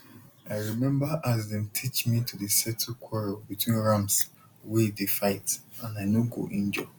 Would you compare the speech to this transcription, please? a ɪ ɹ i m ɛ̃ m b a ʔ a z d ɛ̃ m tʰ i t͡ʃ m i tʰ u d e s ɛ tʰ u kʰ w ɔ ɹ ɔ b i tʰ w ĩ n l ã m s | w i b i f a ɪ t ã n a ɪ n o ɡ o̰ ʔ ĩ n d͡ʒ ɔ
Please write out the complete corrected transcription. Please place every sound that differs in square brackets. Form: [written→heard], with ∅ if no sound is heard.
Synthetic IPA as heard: a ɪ ɹ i m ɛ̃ m b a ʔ a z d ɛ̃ m tʰ i t͡ʃ m i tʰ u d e s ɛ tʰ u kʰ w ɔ ɹ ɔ b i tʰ w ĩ n [l→ɹ] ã m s | w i [b→d] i f a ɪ t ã n a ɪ n o ɡ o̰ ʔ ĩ n d͡ʒ ɔ